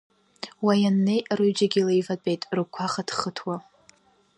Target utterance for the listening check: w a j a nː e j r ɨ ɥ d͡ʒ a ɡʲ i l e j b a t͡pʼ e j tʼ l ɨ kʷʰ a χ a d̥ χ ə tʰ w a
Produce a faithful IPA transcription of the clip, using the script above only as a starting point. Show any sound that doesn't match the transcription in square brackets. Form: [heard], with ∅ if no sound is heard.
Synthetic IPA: w a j a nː e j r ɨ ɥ d͡ʒ a ɡʲ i l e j [v] a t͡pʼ e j tʼ [r] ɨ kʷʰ a χ a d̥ χ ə tʰ w a